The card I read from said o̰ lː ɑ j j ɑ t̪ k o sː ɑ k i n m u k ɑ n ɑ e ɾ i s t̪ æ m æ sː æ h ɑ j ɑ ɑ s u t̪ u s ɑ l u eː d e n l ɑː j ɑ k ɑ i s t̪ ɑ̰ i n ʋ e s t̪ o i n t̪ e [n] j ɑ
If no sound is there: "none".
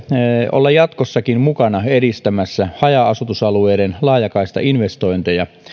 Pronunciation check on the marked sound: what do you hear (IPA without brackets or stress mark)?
none